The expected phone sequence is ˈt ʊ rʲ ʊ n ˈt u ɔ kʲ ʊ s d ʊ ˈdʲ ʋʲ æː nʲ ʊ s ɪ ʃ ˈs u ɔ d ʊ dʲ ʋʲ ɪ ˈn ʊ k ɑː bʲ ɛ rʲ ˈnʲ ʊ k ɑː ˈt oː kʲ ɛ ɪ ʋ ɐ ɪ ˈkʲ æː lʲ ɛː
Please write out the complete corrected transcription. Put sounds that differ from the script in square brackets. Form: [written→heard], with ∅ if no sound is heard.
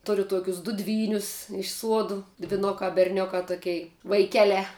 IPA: ˈt ʊ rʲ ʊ [n→∅] ˈt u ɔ kʲ ʊ s d ʊ ˈdʲ ʋʲ [æː→iː] nʲ ʊ s ɪ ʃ ˈs u ɔ d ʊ dʲ ʋʲ ɪ ˈn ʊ k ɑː bʲ ɛ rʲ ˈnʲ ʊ k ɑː ˈt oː kʲ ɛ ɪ ʋ ɐ ɪ ˈkʲ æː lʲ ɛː